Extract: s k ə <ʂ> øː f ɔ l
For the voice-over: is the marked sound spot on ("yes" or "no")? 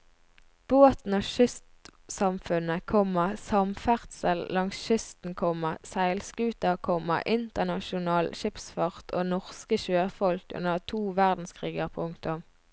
no